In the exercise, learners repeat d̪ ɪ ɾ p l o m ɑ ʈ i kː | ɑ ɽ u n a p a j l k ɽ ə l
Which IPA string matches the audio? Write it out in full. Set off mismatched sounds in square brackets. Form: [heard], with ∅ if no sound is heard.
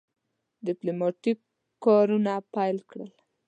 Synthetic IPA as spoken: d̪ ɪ [∅] p l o m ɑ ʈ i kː | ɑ [ɾ] u n a p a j l k ɽ ə l